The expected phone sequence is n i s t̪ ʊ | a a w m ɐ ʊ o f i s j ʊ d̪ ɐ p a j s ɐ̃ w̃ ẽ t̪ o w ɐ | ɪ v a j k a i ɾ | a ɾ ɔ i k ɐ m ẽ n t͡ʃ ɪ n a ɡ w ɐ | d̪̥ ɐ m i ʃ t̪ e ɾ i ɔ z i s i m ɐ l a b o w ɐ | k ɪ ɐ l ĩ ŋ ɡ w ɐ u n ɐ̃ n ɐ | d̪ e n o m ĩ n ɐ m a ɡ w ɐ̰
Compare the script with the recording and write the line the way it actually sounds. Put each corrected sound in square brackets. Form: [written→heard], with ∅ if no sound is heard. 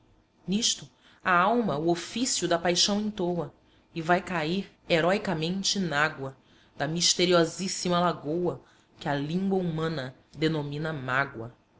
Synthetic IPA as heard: n i [s→ʃ] t̪ ʊ | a a w m ɐ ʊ o f i s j ʊ d̪ ɐ p a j [s→ʃ] ɐ̃ w̃ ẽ t̪ o w ɐ | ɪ v a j k a i ɾ | [a→e] ɾ ɔ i k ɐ m ẽ n t͡ʃ ɪ n a ɡ w ɐ | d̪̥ ɐ m i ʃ t̪ e ɾ i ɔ z i s i m ɐ l a [b→ɡ] o w ɐ | k ɪ ɐ l ĩ ŋ ɡ w ɐ u [n→m] ɐ̃ n ɐ | d̪ e n o m ĩ n ɐ m a ɡ w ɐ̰